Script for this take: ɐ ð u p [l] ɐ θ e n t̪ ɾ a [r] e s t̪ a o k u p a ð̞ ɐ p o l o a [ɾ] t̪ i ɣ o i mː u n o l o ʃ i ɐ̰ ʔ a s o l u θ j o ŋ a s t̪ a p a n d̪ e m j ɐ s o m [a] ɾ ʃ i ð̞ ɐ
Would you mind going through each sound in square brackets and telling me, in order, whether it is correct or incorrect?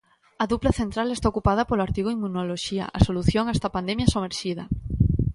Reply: correct, incorrect, correct, incorrect

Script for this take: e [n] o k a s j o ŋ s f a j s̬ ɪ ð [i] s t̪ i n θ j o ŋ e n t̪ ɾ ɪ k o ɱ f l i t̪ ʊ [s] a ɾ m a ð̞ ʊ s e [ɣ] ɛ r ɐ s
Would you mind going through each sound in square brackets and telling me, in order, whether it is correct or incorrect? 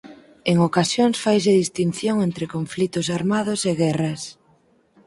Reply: incorrect, correct, correct, correct

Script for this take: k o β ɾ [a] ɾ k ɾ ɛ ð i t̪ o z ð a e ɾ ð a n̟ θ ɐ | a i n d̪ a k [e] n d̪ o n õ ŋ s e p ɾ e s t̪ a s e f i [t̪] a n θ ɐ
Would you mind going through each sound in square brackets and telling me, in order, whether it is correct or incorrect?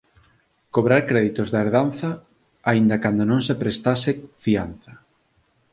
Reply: correct, incorrect, incorrect

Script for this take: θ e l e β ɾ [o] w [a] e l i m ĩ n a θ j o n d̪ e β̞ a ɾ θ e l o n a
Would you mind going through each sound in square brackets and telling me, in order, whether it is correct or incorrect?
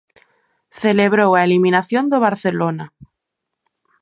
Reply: correct, correct

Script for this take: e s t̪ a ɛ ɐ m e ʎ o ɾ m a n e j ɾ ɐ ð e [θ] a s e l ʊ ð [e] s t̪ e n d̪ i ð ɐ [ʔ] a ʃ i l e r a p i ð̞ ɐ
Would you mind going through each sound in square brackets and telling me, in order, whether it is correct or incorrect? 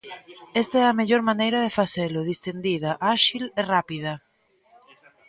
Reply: incorrect, incorrect, correct

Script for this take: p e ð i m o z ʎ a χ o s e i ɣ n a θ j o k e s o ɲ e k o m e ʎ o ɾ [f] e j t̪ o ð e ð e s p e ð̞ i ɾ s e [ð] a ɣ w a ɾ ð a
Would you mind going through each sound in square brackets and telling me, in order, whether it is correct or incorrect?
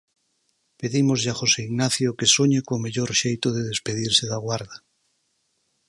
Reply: incorrect, correct

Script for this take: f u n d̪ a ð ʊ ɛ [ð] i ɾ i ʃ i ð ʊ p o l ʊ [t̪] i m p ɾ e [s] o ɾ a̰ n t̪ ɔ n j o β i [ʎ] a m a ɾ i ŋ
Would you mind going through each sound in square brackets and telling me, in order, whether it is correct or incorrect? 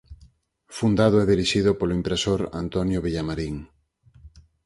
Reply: correct, incorrect, correct, correct

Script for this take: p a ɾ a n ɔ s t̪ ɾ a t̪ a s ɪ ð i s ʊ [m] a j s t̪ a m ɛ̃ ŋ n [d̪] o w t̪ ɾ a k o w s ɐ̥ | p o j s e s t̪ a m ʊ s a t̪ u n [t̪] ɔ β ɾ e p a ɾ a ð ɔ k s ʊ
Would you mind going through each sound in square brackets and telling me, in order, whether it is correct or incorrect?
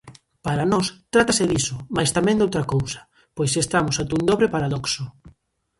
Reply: correct, correct, incorrect

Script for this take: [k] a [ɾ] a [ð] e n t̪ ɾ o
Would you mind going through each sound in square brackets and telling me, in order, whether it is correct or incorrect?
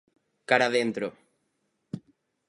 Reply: correct, correct, correct

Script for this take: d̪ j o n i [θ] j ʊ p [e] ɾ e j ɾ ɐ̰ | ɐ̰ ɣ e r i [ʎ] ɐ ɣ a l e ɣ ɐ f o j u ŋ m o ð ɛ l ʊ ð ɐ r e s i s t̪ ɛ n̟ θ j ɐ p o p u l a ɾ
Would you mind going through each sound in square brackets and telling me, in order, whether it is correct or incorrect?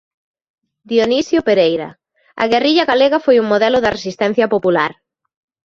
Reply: incorrect, correct, correct

